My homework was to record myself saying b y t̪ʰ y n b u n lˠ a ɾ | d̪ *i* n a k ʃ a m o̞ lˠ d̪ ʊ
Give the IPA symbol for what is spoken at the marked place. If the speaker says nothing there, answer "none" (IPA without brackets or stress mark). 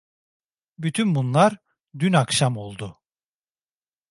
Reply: y